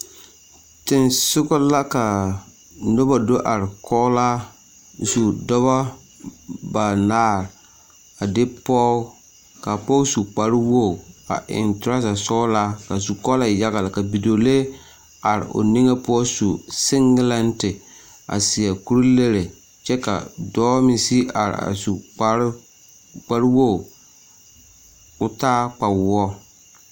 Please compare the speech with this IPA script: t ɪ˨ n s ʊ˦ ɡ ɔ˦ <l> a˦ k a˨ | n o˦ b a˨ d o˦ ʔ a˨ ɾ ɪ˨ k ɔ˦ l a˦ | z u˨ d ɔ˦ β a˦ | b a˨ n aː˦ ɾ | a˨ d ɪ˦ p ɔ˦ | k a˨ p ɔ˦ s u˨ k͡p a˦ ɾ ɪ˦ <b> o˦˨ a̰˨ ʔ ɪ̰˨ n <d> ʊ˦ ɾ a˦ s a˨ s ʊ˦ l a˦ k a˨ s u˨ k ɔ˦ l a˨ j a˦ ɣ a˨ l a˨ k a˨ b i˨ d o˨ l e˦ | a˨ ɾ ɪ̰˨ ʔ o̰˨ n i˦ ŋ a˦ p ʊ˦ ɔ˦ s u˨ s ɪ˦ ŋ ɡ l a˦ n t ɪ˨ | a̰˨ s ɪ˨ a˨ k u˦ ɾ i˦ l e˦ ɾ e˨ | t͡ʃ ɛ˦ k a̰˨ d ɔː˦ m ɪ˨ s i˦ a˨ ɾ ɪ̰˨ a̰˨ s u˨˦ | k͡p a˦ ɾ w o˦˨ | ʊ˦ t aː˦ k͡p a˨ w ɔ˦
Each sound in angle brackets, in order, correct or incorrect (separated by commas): correct, incorrect, incorrect